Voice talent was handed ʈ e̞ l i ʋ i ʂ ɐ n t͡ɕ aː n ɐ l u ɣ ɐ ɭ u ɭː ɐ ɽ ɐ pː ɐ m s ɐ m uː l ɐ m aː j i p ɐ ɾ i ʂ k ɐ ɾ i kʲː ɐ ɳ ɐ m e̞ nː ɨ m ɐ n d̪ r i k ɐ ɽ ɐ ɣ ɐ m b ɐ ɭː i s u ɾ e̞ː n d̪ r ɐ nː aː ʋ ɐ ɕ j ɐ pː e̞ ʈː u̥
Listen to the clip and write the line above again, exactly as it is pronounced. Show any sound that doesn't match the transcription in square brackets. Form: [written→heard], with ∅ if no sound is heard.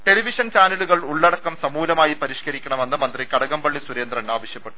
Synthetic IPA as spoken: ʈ e̞ l i ʋ i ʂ ɐ n t͡ɕ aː n ɐ l u ɣ ɐ ɭ u ɭː ɐ ɽ ɐ [pː→kː] ɐ m s ɐ m uː l ɐ m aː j i p ɐ ɾ i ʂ k ɐ ɾ i kʲː ɐ ɳ ɐ m e̞ nː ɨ m ɐ n d̪ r i k ɐ ɽ ɐ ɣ ɐ m b ɐ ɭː i s u ɾ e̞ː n d̪ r ɐ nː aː ʋ ɐ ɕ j ɐ pː e̞ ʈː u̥